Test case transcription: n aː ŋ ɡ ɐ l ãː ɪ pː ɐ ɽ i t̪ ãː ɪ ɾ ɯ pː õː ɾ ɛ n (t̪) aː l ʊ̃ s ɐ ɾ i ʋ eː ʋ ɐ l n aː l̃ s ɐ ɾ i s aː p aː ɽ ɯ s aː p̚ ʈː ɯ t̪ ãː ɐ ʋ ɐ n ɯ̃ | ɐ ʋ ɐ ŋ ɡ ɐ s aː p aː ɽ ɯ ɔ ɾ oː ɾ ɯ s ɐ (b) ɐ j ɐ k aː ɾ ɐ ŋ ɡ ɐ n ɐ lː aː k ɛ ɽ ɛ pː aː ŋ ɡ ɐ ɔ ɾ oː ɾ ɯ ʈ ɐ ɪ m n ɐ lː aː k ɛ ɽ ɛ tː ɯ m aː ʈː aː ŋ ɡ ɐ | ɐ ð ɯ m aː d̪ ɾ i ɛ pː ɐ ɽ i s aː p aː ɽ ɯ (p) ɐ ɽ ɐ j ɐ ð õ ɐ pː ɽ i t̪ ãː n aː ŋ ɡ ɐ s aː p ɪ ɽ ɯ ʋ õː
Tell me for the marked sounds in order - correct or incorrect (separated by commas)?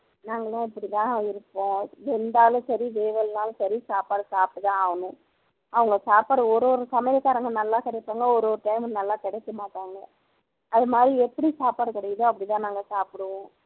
incorrect, incorrect, incorrect